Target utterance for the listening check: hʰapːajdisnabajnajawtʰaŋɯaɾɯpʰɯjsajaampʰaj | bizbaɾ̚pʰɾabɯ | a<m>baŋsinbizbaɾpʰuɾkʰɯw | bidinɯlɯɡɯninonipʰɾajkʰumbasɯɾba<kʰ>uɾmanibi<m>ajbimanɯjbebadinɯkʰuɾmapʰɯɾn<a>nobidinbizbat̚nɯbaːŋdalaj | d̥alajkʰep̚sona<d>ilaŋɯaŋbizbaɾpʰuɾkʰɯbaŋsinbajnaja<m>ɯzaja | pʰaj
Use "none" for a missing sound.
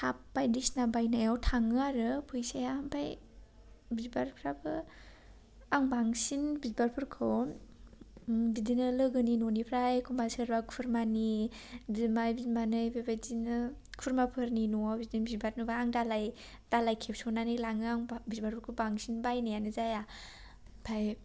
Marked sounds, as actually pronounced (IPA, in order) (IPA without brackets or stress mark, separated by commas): ŋ, kʰ, m, i, n, n